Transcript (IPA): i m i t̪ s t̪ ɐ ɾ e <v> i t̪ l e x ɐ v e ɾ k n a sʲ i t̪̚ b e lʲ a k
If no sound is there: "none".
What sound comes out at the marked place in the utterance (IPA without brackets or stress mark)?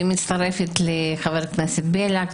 f